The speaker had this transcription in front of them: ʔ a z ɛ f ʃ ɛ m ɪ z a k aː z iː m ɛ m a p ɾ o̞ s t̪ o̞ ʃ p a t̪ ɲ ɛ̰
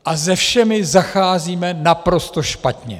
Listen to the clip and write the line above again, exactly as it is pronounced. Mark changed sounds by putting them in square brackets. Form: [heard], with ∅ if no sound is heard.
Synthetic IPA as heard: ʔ a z ɛ f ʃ ɛ m ɪ z a [x] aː z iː m ɛ [n] a p ɾ o̞ s t̪ o̞ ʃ p a t̪ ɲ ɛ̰